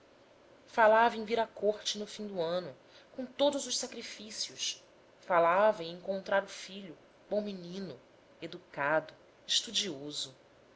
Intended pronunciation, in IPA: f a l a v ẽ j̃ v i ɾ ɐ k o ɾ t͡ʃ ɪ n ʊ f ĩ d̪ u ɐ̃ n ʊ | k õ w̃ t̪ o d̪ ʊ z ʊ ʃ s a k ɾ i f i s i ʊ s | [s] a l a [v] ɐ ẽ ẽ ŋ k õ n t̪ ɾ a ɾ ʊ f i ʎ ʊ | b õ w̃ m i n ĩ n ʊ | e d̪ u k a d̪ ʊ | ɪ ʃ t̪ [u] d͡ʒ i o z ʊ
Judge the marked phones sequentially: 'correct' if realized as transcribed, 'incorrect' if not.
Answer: incorrect, correct, correct

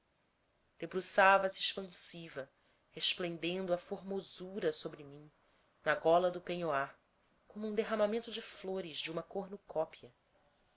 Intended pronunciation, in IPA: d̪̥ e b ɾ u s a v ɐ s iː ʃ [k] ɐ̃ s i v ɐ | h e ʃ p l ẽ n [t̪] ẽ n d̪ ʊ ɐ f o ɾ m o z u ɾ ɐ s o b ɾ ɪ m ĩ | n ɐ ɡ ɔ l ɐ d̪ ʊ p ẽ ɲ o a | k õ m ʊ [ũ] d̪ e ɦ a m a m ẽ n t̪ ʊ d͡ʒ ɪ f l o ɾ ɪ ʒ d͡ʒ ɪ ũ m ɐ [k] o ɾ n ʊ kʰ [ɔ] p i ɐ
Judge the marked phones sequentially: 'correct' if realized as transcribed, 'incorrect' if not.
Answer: incorrect, incorrect, correct, correct, correct

